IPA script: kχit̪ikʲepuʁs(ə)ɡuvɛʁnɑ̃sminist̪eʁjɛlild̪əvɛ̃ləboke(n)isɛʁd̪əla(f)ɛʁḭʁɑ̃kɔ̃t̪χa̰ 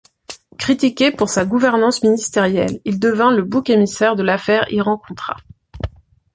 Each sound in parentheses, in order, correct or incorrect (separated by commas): incorrect, incorrect, correct